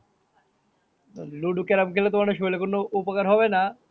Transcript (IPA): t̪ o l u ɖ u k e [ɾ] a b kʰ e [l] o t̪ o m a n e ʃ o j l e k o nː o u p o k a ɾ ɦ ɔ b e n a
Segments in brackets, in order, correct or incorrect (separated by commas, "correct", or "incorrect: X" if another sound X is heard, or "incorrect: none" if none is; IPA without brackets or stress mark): correct, correct